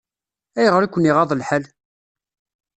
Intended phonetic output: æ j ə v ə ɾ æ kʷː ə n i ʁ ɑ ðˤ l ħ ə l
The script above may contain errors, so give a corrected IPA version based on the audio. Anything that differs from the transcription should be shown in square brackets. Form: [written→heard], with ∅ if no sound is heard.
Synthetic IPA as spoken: æ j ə [v→ʁ] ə ɾ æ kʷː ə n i ʁ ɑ ðˤ l ħ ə l